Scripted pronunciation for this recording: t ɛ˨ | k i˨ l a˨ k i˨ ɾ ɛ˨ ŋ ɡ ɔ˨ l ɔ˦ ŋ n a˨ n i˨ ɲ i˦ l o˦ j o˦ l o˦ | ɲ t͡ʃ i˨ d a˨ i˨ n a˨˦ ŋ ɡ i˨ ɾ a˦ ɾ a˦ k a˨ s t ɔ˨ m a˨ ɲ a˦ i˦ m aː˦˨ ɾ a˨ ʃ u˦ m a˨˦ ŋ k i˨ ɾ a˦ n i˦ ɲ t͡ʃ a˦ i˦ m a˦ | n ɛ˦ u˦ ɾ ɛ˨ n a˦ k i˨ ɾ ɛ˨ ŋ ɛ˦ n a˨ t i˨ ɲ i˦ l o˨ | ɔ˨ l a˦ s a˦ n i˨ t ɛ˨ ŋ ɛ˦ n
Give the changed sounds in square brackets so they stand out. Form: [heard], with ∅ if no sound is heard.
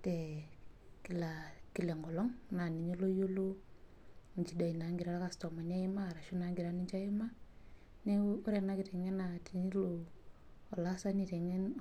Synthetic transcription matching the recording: t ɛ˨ | k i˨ l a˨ k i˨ [l] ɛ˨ ŋ ɡ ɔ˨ l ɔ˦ ŋ n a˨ n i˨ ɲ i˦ l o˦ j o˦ l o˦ | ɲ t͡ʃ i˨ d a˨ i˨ n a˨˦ ŋ ɡ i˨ ɾ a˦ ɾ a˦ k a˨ s t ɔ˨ m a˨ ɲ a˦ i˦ m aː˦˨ ɾ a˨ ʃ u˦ [n] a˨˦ ŋ [ɡ] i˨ ɾ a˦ n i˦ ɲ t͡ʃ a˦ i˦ m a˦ | n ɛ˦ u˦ ɾ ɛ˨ n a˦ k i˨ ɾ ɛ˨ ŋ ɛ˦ n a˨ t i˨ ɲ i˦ l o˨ | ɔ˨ l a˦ s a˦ n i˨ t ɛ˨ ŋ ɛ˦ n